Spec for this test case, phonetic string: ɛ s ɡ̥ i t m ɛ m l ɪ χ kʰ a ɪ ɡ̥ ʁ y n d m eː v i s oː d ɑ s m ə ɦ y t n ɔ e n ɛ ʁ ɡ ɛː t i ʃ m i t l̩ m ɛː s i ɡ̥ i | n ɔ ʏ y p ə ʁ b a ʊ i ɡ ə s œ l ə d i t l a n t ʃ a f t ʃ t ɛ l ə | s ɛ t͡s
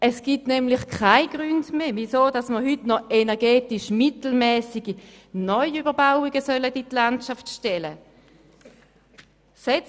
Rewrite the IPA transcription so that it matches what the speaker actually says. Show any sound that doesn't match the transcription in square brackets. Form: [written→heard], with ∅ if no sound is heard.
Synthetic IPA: ɛ s ɡ̥ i t [m→n] ɛ m l ɪ χ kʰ a ɪ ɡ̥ ʁ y n d m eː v i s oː d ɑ s m ə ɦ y t n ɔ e n ɛ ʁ ɡ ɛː t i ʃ m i t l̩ m ɛː s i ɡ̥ i | n ɔ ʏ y [p→b] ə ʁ b a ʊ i ɡ ə s œ l ə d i t l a n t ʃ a f t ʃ t ɛ l ə | s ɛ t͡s